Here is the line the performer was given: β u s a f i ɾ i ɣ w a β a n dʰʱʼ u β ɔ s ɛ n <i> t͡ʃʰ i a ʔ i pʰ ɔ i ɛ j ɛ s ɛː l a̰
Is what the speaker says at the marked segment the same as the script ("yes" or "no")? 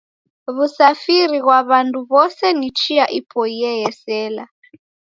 yes